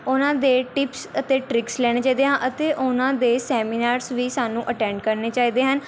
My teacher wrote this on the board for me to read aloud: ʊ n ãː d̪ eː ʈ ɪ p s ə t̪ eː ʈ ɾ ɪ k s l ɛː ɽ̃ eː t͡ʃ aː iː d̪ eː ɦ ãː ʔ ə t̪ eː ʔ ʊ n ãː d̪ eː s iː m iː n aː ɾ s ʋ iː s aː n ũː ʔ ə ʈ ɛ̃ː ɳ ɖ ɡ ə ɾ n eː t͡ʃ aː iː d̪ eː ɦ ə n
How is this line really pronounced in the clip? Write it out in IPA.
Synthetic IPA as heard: ʊ n ãː d̪ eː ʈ ɪ p s ə t̪ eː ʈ ɾ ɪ k s l ɛː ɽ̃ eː t͡ʃ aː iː d̪ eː ɦ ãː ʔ ə t̪ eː ʔ ʊ n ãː d̪ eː s ɛː m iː n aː ɾ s ʋ iː s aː n ũː ʔ ə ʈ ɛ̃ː ɳ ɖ k ə ɾ n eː t͡ʃ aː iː d̪ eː ɦ ə n